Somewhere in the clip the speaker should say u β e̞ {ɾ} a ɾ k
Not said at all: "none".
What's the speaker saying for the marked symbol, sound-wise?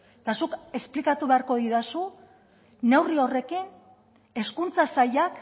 none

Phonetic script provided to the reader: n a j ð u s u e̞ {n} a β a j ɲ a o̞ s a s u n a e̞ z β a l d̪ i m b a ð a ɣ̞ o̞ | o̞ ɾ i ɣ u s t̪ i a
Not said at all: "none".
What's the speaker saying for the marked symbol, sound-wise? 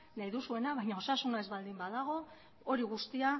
n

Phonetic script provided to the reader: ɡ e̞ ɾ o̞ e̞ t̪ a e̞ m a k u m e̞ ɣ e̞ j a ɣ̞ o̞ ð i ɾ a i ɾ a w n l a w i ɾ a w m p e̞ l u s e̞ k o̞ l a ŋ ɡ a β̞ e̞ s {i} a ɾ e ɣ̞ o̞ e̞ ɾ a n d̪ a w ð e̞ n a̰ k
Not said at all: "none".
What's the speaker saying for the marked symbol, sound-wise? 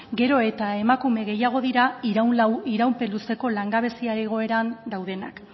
i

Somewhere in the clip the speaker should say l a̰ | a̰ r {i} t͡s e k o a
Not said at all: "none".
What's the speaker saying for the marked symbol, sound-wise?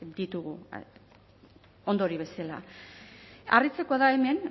i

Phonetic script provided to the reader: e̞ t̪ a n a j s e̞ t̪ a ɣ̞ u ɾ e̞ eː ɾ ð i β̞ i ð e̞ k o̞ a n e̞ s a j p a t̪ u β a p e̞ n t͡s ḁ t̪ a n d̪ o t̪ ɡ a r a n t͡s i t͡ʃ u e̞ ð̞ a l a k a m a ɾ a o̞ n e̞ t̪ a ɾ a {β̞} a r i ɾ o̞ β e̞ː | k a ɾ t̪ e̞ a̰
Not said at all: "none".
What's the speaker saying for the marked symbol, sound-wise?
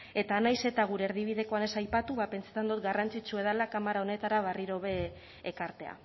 β̞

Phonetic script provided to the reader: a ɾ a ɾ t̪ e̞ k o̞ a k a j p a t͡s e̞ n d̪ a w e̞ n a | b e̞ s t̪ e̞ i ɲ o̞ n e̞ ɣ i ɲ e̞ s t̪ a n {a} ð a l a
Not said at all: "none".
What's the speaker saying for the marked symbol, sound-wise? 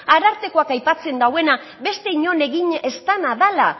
a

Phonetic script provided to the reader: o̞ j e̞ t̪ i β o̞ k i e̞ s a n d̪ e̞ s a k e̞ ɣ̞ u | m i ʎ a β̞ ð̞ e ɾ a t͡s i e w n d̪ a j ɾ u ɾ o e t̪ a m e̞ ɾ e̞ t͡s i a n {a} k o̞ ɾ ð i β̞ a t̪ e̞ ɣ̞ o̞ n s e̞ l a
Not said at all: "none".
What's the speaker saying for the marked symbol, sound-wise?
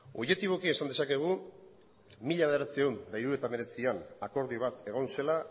a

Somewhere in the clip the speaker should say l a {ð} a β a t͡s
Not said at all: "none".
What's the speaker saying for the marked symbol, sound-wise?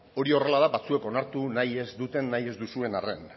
ð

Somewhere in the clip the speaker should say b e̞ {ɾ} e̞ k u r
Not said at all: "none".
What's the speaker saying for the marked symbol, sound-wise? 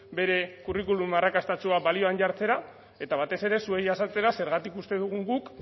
ɾ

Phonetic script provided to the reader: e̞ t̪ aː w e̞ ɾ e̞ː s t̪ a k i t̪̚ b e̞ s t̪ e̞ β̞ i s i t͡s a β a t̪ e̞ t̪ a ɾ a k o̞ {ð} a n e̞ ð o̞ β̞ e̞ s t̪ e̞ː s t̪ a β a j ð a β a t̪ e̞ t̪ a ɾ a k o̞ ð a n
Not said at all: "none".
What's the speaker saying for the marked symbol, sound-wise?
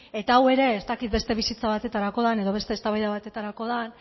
ð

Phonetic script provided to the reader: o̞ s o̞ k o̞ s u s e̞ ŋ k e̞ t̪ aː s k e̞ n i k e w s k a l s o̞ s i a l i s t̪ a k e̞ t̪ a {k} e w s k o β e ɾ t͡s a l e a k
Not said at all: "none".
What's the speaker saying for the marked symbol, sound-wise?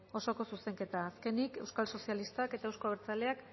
none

